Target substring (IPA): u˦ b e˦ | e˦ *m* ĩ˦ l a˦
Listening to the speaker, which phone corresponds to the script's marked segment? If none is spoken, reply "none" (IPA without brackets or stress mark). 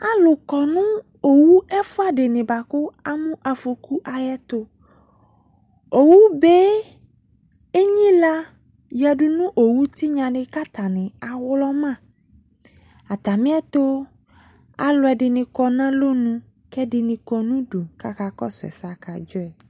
ɲ